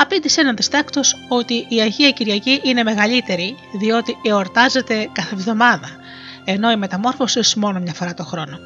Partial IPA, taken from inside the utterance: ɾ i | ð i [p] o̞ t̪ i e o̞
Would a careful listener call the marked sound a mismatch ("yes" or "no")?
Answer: yes